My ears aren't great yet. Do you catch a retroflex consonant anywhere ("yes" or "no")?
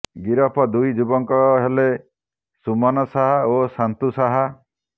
no